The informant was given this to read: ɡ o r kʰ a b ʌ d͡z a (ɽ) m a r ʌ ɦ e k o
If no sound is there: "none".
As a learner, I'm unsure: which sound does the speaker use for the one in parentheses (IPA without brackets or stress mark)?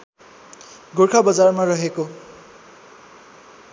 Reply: r